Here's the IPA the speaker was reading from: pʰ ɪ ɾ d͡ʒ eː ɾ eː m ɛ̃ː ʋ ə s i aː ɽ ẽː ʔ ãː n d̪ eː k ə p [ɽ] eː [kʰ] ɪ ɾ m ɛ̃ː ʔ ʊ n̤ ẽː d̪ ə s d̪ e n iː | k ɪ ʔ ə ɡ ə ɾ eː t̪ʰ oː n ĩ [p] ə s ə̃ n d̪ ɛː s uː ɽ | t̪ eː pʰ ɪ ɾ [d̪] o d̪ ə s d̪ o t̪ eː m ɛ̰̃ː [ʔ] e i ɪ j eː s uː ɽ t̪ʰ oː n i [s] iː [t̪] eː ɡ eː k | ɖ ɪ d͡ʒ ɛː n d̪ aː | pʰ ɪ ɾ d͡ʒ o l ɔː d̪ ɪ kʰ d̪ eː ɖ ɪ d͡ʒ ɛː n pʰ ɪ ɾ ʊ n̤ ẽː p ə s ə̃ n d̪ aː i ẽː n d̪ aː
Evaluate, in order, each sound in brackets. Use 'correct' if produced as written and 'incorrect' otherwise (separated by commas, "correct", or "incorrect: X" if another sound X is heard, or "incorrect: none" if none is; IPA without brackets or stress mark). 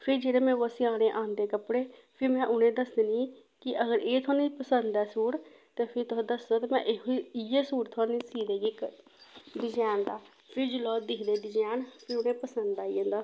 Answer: correct, incorrect: pʰ, correct, incorrect: t̪, correct, correct, incorrect: d̪